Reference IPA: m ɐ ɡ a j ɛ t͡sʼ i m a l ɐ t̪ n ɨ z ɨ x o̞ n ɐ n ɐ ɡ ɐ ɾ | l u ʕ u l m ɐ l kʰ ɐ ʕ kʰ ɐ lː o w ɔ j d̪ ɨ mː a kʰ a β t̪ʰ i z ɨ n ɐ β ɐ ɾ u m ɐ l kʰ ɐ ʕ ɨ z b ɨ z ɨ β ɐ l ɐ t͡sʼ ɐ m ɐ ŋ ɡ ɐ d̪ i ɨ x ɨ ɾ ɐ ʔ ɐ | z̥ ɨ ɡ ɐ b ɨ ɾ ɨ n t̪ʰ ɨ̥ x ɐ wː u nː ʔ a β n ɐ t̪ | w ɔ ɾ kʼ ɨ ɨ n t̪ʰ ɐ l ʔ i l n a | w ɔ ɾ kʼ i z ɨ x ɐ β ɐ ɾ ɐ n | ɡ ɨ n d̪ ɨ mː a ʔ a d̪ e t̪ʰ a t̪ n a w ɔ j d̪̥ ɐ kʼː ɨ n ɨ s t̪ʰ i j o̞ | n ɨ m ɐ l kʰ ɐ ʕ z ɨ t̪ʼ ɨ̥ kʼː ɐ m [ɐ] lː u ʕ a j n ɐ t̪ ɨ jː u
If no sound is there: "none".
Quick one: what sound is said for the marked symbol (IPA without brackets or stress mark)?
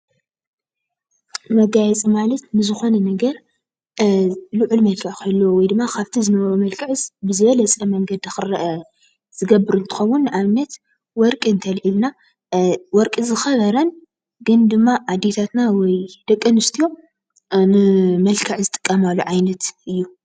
a